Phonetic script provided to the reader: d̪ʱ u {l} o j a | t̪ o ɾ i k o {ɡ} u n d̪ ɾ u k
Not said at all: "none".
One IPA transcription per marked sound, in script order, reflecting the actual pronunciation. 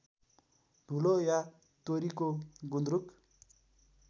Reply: l, ɡ

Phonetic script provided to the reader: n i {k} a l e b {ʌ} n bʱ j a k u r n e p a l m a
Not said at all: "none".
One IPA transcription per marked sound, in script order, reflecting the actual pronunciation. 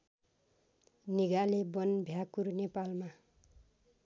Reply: ɡ, ʌ

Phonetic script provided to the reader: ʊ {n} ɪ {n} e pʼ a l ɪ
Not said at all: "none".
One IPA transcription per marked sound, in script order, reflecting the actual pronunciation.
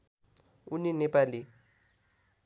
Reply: n, n

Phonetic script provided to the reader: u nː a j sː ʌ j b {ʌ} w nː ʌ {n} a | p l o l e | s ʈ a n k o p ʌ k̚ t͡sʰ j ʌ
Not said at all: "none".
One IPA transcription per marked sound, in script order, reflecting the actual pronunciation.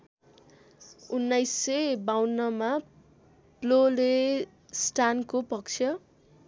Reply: a, m

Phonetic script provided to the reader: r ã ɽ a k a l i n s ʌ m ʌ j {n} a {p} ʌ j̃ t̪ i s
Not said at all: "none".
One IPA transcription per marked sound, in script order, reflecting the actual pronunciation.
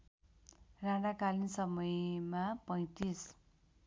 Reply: m, p

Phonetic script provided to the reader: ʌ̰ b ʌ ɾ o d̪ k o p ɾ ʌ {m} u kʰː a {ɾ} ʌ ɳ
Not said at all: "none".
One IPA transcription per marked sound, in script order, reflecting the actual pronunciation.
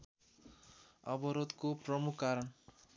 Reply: m, ɾ

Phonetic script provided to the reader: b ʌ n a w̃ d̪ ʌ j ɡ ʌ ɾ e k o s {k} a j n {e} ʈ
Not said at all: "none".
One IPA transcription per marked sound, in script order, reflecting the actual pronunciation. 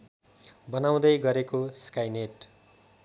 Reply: k, e

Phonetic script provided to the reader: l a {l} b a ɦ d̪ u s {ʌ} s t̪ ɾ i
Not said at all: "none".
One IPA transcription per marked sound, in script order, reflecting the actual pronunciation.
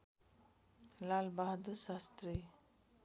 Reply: l, a

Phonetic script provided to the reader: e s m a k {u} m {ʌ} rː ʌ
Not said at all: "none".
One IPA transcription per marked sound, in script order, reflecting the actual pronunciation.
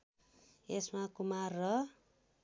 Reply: u, a

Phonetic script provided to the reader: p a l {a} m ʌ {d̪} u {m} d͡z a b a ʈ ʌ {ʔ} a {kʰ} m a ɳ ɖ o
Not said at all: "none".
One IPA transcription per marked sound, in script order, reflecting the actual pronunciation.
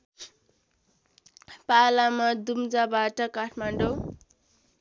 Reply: a, d̪, m, k, ʈʰ

